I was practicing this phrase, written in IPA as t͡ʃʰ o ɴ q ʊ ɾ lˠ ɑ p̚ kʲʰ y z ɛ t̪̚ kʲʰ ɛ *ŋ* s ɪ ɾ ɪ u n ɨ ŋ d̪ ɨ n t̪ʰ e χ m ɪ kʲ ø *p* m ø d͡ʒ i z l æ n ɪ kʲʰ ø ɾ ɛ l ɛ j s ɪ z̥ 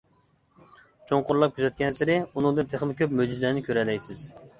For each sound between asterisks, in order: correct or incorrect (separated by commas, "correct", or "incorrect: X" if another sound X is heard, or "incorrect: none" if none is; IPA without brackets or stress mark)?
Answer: incorrect: n, correct